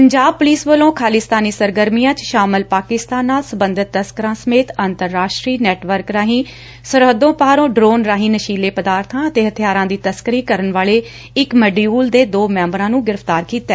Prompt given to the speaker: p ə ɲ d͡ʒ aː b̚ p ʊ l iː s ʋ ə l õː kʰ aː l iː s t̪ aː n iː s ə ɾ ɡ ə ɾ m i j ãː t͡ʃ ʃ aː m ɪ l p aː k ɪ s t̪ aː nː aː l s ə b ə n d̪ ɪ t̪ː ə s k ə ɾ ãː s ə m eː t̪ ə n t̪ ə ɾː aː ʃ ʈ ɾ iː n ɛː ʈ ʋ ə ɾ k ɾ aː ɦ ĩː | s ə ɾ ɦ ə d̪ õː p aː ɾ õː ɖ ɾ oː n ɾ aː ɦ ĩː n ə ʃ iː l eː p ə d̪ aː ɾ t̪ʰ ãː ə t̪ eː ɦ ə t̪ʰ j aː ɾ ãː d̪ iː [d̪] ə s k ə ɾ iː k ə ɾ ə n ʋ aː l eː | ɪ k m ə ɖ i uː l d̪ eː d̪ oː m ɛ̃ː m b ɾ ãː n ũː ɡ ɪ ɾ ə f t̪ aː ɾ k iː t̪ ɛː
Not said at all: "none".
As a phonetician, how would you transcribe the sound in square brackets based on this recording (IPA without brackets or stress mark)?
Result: t̪